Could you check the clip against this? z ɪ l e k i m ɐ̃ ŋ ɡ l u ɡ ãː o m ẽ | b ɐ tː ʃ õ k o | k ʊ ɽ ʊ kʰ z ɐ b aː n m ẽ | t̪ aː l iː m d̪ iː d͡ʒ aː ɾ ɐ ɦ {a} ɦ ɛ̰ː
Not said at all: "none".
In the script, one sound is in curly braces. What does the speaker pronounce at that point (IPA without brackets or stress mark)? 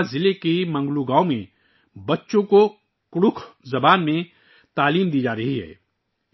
i